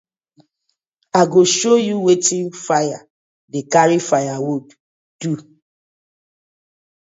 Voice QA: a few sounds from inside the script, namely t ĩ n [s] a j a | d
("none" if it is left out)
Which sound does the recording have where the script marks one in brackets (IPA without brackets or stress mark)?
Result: f